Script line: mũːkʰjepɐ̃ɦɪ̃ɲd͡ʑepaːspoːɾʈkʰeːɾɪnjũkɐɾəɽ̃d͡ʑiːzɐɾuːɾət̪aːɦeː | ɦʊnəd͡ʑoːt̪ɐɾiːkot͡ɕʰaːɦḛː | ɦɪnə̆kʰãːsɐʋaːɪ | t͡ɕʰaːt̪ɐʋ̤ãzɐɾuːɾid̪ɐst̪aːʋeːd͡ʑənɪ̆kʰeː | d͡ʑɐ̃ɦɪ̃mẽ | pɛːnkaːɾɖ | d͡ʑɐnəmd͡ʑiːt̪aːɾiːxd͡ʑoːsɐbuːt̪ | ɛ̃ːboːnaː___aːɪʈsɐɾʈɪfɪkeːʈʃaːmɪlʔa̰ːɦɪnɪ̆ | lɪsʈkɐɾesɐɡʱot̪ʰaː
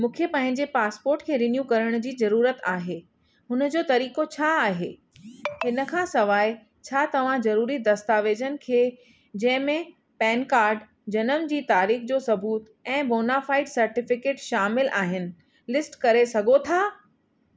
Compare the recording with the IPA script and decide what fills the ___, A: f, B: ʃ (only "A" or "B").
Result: A